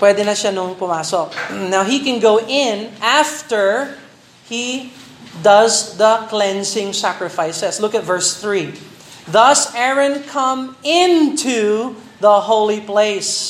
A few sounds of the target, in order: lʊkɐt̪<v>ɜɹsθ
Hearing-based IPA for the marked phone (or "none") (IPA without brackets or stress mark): v